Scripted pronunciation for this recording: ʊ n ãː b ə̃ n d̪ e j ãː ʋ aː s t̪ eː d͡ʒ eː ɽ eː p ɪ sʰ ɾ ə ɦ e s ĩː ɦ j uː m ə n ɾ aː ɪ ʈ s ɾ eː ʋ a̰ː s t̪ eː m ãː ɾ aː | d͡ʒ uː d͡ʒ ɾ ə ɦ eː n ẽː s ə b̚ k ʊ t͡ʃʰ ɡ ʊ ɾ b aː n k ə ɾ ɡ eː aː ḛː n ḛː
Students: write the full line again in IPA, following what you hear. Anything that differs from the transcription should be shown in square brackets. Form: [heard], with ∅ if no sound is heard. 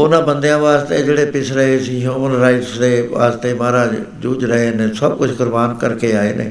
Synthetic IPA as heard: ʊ n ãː b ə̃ n d̪ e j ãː ʋ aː s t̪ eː d͡ʒ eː ɽ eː p ɪ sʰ ɾ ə ɦ e s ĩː ɦ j uː m ə n ɾ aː ɪ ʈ s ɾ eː ʋ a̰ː s t̪ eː m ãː ɾ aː | d͡ʒ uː d͡ʒ ɾ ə ɦ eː n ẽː s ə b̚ k ʊ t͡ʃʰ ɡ ʊ ɾ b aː n k ə ɾ [k] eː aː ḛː n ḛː